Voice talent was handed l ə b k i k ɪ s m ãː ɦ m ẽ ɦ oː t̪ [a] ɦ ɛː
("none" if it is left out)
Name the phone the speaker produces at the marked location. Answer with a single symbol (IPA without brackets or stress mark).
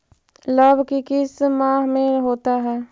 a